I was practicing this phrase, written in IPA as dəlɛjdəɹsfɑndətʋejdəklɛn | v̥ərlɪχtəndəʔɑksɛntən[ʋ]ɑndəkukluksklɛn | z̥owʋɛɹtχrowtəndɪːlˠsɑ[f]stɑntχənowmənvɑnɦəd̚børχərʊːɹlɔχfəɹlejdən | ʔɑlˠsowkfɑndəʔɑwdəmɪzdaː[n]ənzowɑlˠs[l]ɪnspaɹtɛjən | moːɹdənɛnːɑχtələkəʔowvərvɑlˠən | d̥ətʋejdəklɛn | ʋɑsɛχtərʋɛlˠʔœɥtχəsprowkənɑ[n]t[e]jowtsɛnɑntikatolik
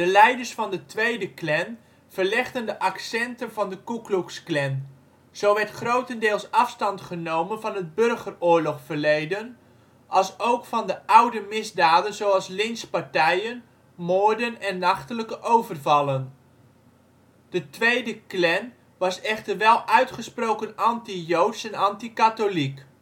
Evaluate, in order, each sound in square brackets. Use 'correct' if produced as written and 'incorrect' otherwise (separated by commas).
incorrect, correct, incorrect, correct, correct, incorrect